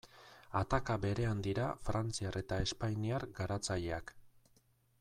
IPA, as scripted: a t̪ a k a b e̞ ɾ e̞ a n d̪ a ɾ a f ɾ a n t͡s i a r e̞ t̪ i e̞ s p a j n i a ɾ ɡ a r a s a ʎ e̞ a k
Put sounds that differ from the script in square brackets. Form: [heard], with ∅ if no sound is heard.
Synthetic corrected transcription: a t̪ a k a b e̞ ɾ e̞ a n d̪ [i] ɾ a f ɾ a n t͡s i a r e̞ t̪ [a] e̞ s p a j n i a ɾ ɡ a [ɾ] a [t͡s] a ʎ e̞ a k